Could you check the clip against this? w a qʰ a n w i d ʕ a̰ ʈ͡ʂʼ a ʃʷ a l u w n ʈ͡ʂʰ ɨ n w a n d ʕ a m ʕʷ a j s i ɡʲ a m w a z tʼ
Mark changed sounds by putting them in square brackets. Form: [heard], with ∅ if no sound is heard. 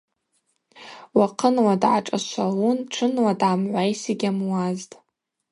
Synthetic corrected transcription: w a qʰ [ə] n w [a] d ʕ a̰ ʈ͡ʂʼ a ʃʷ a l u [∅] n ʈ͡ʂʰ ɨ n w a [∅] d ʕ a m ʕʷ a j s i ɡʲ a m w a z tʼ

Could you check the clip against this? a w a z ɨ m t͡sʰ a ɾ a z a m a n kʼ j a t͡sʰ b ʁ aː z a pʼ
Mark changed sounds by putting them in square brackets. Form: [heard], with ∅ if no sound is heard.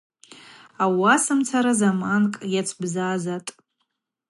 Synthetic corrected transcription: a w a [s] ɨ m t͡sʰ a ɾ a z a m a n kʼ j a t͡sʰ b [z] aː z a [tʼ]

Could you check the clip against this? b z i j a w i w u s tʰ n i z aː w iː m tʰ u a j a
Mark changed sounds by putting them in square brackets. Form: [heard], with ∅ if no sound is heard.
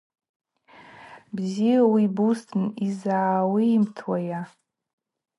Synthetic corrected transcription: b z i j a w i [b] u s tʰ n i z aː w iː m tʰ [w] a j a

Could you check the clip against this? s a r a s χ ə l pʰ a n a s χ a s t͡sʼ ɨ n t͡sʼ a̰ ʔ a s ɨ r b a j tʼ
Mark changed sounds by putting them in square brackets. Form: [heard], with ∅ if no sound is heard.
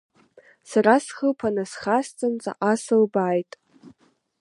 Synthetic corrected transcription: s a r a s χ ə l pʰ a n a s χ a s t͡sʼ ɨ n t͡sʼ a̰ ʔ a s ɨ [l] b a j tʼ

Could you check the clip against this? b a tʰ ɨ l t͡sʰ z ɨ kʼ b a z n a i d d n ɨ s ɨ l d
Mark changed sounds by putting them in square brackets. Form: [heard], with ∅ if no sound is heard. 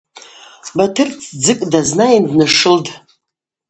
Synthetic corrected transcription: b a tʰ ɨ [r] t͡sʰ [d͡z] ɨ kʼ [d] a z n a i [n] d n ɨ [ʂ] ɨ l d

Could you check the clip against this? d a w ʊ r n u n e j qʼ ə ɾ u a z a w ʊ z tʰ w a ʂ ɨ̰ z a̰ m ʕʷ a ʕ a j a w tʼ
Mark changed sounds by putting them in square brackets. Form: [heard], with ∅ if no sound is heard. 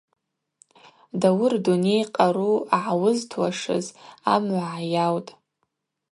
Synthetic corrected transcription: d a w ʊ r [d] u n e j qʼ [a] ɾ u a [ʕ] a w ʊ z tʰ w a ʂ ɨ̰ z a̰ m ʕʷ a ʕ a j a w tʼ

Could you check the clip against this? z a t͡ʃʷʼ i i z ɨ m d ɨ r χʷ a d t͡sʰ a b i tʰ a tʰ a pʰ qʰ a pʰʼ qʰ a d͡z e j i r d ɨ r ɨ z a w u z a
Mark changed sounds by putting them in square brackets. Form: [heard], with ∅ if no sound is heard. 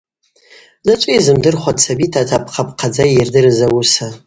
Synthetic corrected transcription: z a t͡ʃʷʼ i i z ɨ m d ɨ r χʷ a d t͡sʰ a b i tʰ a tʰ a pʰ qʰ a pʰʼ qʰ a d͡z [a] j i r d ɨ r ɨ z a w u [s] a

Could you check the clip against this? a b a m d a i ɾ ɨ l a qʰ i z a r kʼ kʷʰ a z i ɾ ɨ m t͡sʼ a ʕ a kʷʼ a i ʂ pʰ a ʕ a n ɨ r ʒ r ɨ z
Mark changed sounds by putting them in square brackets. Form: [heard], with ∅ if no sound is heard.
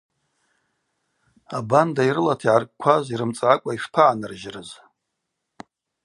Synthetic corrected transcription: a b a [n] d a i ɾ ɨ l a [tʰ] i [ʕ] a r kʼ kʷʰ a z i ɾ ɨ m t͡sʼ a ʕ a kʷʼ a i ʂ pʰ a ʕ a n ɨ r ʒ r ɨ z

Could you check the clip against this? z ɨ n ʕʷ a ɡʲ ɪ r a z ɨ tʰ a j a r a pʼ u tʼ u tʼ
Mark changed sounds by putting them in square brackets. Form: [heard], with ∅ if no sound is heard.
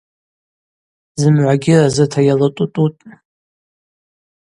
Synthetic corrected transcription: z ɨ [m] ʕʷ a ɡʲ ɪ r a z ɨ tʰ a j a [l] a [tʼ] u tʼ u tʼ

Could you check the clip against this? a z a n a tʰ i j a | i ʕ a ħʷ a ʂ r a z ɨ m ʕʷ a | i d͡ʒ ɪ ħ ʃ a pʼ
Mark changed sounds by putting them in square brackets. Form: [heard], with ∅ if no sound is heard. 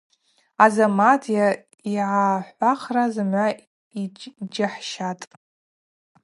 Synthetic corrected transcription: a z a [m] a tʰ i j a | i ʕ a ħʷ a [χ] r a z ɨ m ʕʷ a | i d͡ʒ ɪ ħ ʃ a [tʼ]

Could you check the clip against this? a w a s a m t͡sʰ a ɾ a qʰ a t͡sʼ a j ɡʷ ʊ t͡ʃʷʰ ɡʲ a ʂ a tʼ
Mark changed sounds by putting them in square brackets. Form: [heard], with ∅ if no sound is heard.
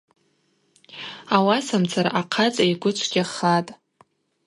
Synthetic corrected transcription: a w a s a m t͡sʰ a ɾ a qʰ a t͡sʼ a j ɡʷ ʊ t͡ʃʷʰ ɡʲ a [χ] a tʼ

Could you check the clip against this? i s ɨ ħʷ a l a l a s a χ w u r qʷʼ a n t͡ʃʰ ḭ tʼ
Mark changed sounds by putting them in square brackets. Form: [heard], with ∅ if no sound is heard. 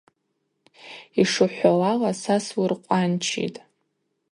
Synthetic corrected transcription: i [ʂ] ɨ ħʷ a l a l a s a [s] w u r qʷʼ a n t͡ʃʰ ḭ tʼ

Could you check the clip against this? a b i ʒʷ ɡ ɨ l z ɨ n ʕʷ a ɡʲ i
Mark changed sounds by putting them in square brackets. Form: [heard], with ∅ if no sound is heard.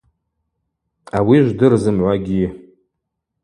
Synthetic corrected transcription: a [w] i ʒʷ [d] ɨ [r] z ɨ [m] ʕʷ a ɡʲ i

